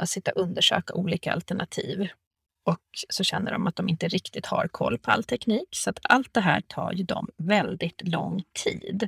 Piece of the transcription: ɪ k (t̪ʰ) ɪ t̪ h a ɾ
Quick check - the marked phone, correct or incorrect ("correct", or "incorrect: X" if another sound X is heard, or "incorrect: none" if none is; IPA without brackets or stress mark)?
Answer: incorrect: t̪